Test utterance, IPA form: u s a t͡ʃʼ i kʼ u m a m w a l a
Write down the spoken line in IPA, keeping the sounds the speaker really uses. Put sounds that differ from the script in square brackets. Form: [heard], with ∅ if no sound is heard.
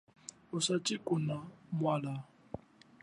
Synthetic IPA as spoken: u s a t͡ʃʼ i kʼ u [n] a m w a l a